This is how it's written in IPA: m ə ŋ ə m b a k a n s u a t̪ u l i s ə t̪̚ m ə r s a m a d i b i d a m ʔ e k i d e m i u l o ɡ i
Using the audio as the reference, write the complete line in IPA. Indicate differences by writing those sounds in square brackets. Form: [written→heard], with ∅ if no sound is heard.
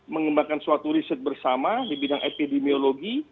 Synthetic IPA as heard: m ə ŋ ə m b a k a n s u a t̪ u [l→ɾ] i s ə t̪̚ [m→b] ə r s a m a d i b i d a [m→ŋ] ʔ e [k→p] i d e m i [u→o] l o ɡ i